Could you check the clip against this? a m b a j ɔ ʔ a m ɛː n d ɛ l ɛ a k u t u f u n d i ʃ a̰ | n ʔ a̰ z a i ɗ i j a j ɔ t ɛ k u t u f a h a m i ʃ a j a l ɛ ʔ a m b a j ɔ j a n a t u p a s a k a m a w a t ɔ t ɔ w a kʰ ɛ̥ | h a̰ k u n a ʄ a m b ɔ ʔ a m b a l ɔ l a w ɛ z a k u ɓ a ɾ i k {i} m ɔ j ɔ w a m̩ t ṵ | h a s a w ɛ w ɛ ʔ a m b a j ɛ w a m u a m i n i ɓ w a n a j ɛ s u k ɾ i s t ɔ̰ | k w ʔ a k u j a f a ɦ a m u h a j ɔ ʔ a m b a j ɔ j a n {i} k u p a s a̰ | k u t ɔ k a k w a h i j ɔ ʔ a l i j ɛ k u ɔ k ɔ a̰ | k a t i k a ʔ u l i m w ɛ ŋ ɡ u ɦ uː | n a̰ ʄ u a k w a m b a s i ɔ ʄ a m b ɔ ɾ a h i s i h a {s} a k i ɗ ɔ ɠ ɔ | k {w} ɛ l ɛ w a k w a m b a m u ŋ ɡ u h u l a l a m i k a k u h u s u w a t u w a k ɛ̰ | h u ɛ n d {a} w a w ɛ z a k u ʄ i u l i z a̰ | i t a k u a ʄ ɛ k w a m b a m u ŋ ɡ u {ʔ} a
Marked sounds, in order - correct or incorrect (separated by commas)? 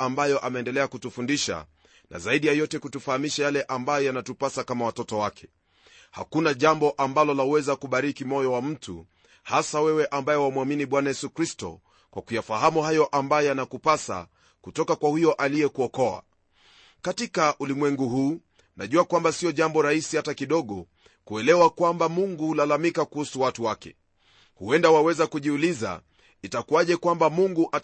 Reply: correct, incorrect, incorrect, incorrect, correct, correct